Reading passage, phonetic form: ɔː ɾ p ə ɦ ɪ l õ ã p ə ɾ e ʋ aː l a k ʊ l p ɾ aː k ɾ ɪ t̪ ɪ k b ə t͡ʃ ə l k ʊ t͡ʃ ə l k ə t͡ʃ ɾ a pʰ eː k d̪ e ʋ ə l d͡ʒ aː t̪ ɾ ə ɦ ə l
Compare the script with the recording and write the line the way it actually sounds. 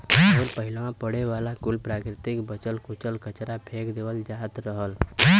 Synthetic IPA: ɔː ɾ p ə ɦ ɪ l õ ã p ə ɽ e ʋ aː l a k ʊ l p ɾ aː k ɾ ɪ t̪ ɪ k b ə t͡ʃ ə l k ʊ t͡ʃ ə l k ə t͡ʃ ɾ a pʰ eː k d̪ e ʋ ə l d͡ʒ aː t̪ ɾ ə ɦ ə l